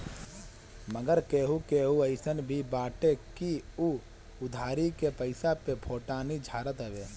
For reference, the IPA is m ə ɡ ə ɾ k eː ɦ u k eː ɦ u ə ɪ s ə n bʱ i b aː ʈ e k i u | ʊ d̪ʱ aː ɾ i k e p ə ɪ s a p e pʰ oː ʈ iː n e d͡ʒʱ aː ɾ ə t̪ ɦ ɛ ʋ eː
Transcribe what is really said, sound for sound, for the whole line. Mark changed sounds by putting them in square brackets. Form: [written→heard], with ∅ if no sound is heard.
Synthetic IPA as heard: m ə ɡ ə ɾ k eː ɦ u k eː ɦ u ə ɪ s ə n bʱ i b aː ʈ e k i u | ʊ d̪ʱ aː ɾ i k e p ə ɪ s a p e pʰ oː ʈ [iː→aː] n [e→i] d͡ʒʱ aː ɾ ə t̪ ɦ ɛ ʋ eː